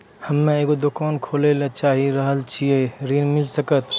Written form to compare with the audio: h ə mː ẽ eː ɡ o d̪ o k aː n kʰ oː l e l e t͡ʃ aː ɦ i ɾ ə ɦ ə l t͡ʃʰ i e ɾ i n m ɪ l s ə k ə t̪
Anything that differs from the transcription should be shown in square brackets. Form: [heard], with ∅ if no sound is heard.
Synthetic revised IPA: h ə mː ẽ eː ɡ o d̪ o k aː n kʰ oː l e l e t͡ʃ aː ɦ i ɾ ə ɦ ə l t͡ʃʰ i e ɾ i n m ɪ l s ə k ə t̪